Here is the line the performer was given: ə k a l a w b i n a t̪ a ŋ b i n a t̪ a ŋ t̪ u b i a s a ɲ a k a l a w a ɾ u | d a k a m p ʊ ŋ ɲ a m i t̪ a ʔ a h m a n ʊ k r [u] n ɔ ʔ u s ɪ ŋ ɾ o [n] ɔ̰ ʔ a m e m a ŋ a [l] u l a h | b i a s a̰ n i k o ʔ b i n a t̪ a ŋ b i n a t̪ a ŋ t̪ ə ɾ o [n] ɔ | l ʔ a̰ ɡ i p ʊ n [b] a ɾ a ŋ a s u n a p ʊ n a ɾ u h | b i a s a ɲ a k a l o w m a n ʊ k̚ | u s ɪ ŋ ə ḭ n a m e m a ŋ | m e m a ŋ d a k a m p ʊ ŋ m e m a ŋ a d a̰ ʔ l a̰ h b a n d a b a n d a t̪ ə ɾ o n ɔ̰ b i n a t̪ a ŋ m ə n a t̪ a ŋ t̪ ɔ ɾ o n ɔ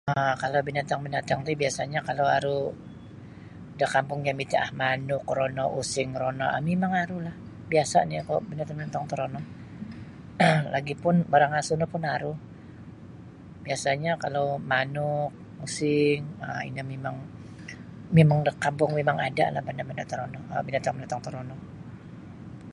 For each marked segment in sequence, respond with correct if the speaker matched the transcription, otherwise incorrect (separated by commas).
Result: incorrect, correct, incorrect, correct, correct